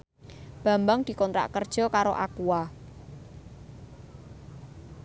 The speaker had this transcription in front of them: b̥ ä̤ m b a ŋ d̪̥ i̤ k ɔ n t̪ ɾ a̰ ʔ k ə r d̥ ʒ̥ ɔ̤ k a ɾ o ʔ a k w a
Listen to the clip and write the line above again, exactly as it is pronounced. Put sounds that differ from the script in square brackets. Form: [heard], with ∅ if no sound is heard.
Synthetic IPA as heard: b̥ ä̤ m b a ŋ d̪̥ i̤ k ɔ n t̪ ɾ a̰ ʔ k ə r d̥ ʒ̥ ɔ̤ k a ɾ o ʔ a k [u] a

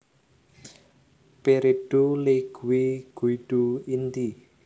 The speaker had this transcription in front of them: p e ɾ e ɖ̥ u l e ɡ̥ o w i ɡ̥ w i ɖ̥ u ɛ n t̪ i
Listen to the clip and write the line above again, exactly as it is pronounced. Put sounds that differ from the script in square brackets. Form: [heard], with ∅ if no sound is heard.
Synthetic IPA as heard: p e ɾ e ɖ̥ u l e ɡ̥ [u] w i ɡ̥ [u] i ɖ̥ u [i] n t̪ i

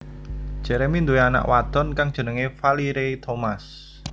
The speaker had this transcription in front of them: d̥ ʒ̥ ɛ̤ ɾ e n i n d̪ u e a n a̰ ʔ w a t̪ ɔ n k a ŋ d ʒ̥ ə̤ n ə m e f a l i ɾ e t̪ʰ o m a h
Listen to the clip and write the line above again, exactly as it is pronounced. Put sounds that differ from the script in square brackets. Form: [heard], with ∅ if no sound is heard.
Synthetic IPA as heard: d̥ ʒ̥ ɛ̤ ɾ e [m] i n d̪ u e a n a̰ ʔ w a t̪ ɔ n k a ŋ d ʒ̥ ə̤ n ə [ŋ] e f a l i ɾ e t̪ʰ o m a [s]

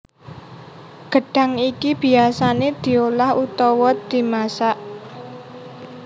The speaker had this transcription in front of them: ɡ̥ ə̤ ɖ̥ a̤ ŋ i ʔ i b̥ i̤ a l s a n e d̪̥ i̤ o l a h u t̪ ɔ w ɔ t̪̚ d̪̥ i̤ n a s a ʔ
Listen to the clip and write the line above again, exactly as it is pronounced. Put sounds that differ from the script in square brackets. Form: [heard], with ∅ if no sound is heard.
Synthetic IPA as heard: ɡ̥ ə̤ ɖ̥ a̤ ŋ i [k] i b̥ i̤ a [∅] s a n e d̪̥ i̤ o l a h u t̪ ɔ w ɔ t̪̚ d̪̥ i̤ [m] a s a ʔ

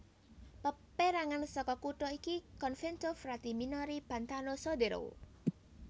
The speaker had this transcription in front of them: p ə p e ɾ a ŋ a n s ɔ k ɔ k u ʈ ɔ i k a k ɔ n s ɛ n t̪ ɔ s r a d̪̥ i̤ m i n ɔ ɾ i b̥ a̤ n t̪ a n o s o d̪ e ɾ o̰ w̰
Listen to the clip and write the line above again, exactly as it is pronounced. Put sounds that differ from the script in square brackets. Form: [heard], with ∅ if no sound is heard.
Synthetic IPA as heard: p ə p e ɾ a ŋ a n s ɔ k ɔ k u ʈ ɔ i k [i] k ɔ n [f] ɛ n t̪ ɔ [f] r a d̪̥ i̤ m i n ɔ ɾ i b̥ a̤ n t̪ a n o s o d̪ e ɾ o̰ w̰

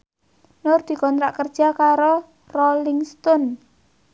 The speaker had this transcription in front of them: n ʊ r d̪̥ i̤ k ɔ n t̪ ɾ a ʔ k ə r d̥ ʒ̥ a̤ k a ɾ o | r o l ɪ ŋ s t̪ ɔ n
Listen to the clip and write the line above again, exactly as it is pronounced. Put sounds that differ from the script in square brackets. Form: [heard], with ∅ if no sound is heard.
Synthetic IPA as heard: n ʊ r d̪̥ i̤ k ɔ n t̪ ɾ a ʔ k ə r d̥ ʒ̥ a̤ k a ɾ o | r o l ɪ ŋ s t̪ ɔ n

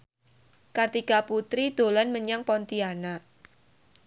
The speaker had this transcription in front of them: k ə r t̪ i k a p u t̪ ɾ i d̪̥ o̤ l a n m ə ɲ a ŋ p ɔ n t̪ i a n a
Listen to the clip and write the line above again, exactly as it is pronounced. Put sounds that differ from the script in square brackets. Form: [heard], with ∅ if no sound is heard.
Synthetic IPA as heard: k [a] r t̪ i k a p u t̪ ɾ i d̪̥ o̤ l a n m ə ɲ a ŋ p ɔ n t̪ i a n a

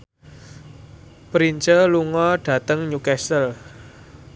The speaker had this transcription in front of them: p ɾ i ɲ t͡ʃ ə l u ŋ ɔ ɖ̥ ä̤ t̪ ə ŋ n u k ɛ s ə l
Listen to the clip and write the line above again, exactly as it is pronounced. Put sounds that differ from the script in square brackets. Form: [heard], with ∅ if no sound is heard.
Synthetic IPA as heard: p ɾ i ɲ t͡ʃ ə l u ŋ ɔ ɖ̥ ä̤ t̪ ə ŋ [ɲ] u k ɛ s ə l

